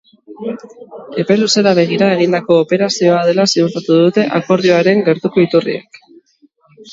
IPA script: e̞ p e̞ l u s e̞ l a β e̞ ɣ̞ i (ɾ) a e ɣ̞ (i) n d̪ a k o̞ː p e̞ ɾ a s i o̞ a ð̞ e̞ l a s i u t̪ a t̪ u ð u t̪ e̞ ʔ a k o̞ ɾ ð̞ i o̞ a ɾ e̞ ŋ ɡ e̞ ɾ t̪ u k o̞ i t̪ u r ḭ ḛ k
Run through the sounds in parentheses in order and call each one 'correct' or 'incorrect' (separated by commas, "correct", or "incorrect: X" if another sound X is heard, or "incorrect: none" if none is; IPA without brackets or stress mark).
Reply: correct, correct